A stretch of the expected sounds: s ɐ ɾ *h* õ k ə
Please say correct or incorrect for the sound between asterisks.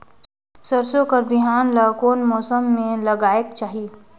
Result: incorrect